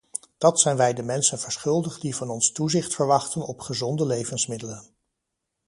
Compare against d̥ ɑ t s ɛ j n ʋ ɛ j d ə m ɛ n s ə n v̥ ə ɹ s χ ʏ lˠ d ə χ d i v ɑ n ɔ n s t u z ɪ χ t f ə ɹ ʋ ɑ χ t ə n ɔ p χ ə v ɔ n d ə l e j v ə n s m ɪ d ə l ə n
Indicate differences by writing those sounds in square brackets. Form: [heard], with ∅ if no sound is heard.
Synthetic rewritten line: d̥ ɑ t s ɛ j n ʋ ɛ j d ə m ɛ n s ə n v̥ ə ɹ s χ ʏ lˠ d ə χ d i v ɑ n ɔ n s t u z ɪ χ t f ə ɹ ʋ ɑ χ t ə n ɔ p χ ə [z] ɔ n d ə l e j v ə n s m ɪ d ə l ə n